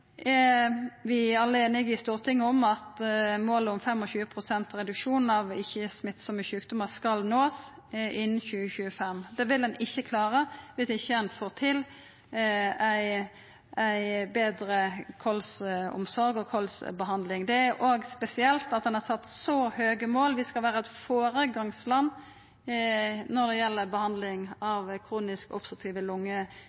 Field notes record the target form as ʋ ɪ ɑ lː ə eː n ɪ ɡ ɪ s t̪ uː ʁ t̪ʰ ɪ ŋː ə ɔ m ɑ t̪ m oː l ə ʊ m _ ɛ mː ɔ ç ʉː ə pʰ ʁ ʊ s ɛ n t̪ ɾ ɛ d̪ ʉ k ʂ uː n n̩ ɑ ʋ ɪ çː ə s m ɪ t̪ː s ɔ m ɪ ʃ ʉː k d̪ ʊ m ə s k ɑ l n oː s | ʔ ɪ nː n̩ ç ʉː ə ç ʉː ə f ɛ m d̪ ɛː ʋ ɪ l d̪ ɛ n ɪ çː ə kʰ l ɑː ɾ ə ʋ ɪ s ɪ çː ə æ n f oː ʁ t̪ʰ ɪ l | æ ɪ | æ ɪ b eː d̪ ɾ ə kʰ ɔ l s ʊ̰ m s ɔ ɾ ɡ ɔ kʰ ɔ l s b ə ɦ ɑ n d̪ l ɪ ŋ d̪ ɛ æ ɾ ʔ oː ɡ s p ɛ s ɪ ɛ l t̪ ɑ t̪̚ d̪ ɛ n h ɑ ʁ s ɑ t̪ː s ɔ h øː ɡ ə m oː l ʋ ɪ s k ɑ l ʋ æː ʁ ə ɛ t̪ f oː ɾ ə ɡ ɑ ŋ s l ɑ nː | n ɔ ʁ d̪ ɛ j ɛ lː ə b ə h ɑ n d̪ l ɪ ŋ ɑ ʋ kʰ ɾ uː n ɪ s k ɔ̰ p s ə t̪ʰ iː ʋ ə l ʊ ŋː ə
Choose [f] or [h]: f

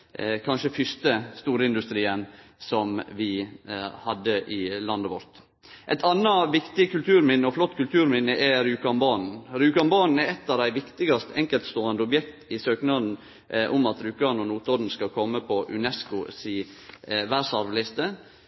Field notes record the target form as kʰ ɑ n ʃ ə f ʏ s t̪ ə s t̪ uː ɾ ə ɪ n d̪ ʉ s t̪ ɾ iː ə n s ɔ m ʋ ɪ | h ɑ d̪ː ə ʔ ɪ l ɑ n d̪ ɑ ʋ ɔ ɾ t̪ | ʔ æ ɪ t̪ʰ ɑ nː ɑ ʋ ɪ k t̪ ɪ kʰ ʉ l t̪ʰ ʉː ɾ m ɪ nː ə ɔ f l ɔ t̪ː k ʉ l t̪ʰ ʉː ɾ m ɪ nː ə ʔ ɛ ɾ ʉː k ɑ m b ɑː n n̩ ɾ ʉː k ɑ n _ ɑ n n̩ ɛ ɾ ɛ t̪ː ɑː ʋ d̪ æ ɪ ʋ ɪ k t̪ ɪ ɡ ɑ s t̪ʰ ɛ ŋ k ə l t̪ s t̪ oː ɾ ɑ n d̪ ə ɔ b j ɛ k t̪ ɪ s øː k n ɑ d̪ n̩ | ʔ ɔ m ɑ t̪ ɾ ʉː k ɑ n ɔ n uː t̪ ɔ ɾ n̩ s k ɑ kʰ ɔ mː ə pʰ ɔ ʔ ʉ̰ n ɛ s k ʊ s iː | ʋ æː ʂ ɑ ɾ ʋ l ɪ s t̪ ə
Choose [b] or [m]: b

